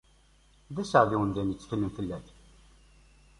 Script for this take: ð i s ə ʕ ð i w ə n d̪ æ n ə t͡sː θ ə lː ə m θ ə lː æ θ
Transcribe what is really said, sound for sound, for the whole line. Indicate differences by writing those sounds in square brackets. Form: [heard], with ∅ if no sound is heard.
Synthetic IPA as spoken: ð [æ] s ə ʕ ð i w ə n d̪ æ n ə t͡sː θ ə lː ə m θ ə lː æ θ